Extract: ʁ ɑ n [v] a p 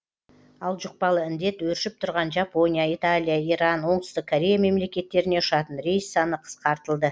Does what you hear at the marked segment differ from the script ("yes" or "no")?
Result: yes